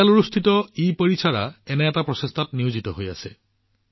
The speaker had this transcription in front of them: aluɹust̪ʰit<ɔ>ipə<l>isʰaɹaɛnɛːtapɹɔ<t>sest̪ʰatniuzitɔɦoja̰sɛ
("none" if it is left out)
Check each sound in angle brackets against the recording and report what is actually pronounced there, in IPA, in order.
ɔ, ɹ, none

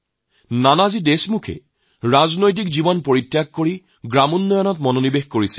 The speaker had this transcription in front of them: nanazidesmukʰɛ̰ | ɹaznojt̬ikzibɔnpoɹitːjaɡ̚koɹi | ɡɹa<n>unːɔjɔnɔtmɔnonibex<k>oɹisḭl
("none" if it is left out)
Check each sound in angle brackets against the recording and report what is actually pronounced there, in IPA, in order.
m, k

